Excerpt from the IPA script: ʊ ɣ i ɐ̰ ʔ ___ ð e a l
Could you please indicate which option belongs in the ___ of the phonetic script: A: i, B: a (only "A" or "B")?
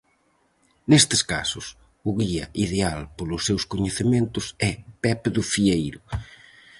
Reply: A